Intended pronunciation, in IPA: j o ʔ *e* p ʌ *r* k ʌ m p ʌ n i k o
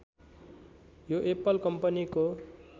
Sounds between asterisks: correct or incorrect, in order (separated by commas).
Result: correct, incorrect